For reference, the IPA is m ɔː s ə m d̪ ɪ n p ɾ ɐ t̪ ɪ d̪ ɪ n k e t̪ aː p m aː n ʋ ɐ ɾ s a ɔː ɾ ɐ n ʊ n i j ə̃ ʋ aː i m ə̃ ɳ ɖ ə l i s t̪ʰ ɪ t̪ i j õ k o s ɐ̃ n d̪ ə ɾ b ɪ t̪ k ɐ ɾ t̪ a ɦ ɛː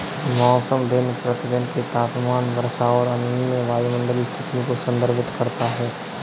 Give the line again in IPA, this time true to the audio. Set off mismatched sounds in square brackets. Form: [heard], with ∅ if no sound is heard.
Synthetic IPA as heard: m ɔː s ə m d̪ ɪ n p ɾ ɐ t̪ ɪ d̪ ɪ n k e t̪ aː p m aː n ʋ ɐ ɾ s a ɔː ɾ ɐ n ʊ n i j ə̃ ʋ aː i m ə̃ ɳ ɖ ə l i s t̪ʰ ɪ t̪ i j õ k o s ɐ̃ n d̪ ə ɾ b ɪ t̪ k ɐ ɾ t̪ a ɦ ɛː